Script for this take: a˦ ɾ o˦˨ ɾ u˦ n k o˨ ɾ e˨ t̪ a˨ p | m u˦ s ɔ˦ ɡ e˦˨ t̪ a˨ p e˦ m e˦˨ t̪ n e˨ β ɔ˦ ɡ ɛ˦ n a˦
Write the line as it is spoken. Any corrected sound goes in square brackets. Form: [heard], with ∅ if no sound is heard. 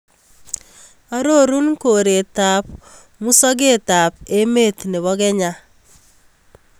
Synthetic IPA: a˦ ɾ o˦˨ ɾ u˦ n k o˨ ɾ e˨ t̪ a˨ p | m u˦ s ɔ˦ ɡ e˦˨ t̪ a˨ p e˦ m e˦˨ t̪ n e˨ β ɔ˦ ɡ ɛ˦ [ɲ] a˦

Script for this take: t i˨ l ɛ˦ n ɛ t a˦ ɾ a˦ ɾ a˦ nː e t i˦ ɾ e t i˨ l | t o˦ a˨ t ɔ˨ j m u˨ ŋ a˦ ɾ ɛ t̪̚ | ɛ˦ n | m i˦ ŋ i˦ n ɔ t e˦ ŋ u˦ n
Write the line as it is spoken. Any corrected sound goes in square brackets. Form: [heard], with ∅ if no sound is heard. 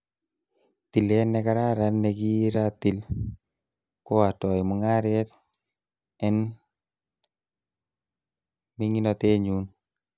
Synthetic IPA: t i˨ l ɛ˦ n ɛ [k] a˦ ɾ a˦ ɾ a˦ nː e [k] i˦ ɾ [a] t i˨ l | [k] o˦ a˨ t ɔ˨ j m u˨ ŋ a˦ ɾ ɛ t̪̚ | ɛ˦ n | m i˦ ŋ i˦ n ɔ t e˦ [ɲ] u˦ n

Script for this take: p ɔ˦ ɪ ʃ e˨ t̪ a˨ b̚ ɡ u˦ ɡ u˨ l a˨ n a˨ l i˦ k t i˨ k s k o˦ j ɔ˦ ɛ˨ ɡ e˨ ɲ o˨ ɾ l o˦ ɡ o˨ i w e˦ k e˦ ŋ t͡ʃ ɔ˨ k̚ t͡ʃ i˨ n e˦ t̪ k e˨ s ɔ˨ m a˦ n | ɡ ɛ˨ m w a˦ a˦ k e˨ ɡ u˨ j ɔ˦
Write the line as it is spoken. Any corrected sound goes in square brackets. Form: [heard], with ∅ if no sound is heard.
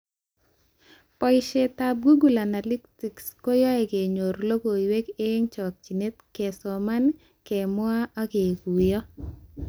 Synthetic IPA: p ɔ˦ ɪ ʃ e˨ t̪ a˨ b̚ ɡ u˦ ɡ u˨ l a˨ n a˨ l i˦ k t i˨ k s k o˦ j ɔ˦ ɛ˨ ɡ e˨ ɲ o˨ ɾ l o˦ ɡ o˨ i w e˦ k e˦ ŋ t͡ʃ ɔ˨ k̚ t͡ʃ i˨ n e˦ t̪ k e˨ s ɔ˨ m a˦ n | [k] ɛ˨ m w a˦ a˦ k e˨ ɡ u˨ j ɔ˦

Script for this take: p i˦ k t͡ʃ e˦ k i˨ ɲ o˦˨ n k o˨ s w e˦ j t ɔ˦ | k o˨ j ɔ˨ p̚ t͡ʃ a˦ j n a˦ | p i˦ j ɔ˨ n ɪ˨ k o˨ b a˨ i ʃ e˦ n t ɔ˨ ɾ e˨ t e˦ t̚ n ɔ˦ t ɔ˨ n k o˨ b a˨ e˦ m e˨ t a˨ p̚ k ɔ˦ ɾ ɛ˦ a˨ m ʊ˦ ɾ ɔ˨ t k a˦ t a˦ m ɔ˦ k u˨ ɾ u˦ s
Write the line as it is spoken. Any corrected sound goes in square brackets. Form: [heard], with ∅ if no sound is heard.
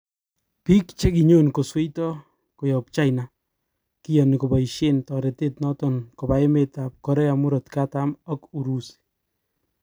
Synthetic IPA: p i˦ k t͡ʃ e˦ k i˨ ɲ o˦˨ n k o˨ s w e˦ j t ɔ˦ | k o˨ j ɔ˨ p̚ t͡ʃ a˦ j n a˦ | [k] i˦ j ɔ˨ n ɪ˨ k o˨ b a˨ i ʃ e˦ n t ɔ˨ ɾ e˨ t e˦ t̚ n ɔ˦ t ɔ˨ n k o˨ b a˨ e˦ m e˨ t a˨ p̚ k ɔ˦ ɾ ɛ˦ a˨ m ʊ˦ ɾ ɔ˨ t k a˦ t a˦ m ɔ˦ k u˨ ɾ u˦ s

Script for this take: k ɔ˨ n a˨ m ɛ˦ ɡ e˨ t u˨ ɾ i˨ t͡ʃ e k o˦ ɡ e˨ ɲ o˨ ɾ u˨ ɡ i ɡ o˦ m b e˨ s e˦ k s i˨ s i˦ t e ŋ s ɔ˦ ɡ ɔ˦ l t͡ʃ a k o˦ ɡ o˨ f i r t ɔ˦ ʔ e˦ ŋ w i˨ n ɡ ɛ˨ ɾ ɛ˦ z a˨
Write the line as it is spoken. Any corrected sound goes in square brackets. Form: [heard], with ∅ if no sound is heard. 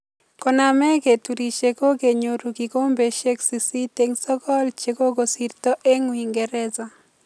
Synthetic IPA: k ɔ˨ n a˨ m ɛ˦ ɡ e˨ t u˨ ɾ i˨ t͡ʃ e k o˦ ɡ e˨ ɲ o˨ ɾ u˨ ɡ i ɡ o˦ m b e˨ [ʃ] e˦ k s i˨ s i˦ t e ŋ s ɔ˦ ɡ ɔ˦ l t͡ʃ [e] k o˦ ɡ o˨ [s] i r t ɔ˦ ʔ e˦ ŋ w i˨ [ŋ] ɡ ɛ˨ ɾ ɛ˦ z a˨

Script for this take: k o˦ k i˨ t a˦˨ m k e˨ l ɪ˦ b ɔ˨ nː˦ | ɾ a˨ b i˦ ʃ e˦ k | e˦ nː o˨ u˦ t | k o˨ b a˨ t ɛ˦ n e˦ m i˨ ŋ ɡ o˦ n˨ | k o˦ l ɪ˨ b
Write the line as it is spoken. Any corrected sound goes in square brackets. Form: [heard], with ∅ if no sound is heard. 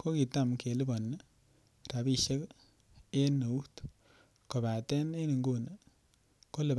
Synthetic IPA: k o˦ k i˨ t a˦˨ m k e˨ l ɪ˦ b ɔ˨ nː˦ | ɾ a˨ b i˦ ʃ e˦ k | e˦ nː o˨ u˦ t | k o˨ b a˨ t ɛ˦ n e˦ [n] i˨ ŋ ɡ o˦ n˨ | k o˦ l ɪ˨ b

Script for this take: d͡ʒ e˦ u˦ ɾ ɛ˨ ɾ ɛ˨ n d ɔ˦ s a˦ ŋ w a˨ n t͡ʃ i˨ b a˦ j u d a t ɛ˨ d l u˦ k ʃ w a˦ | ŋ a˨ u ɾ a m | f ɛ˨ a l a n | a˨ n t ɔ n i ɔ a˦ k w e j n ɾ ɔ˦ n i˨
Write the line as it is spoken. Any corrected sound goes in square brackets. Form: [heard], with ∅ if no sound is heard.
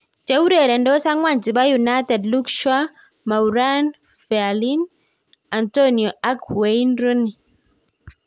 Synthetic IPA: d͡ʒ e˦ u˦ ɾ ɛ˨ ɾ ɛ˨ n d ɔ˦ s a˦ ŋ w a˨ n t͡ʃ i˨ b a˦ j u [n] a t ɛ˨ d l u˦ k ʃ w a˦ | [m] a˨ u ɾ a [n] | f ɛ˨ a l [i] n | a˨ n t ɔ n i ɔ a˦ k w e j n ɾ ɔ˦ n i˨

